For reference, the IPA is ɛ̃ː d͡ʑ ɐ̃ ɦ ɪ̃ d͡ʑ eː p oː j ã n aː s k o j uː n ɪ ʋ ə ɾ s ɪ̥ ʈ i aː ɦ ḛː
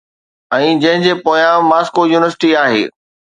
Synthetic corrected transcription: ɛ̃ː d͡ʑ ɐ̃ ɦ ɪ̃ d͡ʑ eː p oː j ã m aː s k o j uː n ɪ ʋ ə ɾ s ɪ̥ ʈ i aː ɦ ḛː